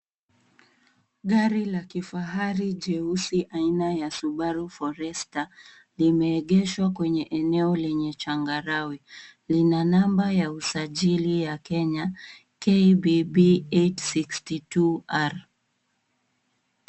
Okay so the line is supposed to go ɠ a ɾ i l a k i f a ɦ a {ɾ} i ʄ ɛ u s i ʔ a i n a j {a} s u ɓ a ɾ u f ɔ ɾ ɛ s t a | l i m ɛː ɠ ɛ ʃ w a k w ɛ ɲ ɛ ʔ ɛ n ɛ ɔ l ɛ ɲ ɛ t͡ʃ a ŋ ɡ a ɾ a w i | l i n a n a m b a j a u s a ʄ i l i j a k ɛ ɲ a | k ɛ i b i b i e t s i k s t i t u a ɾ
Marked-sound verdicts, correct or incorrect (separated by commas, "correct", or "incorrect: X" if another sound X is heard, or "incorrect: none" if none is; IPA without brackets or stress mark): correct, correct